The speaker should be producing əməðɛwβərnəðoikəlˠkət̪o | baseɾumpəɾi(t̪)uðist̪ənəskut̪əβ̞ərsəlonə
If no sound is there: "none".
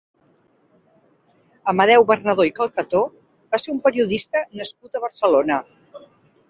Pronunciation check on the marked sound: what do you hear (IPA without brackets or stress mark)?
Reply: none